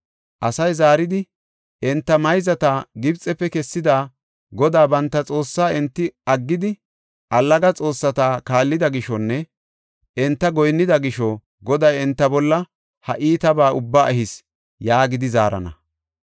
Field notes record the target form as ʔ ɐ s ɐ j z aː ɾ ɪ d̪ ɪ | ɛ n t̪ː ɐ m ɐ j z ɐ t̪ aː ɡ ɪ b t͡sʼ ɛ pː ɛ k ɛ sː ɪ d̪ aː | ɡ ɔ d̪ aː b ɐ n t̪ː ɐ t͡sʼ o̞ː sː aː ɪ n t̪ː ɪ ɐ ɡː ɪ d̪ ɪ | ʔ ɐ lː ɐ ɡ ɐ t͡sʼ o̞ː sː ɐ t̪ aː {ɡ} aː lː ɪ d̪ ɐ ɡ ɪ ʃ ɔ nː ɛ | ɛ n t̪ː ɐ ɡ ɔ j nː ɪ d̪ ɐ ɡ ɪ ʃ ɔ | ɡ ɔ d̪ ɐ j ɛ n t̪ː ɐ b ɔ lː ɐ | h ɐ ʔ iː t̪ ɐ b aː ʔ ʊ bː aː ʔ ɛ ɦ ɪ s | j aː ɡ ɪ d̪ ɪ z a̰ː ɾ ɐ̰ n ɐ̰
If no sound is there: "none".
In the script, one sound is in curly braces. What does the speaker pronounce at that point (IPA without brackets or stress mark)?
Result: k